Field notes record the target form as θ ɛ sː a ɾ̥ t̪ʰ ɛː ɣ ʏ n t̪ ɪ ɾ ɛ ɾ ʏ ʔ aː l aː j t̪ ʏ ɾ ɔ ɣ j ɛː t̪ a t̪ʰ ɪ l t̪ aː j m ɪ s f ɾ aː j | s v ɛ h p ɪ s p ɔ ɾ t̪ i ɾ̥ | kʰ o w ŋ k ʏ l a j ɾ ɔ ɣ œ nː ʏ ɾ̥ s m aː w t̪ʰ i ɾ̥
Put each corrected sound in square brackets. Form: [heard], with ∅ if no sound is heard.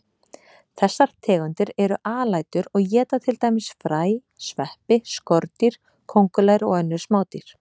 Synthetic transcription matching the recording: θ ɛ sː a ɾ̥ t̪ʰ ɛː ɣ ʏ n t̪ ɪ ɾ ɛ ɾ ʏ ʔ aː l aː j t̪ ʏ ɾ ɔ ɣ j ɛː t̪ a t̪ʰ ɪ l t̪ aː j m ɪ s f ɾ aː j | s v ɛ h p ɪ s [k] ɔ ɾ t̪ i ɾ̥ | kʰ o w ŋ k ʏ l a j ɾ ɔ ɣ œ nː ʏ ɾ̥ s m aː w [t̪] i ɾ̥